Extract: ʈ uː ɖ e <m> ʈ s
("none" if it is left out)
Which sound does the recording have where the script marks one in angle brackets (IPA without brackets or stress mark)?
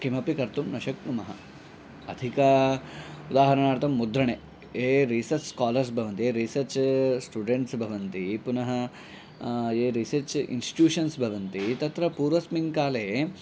ɳ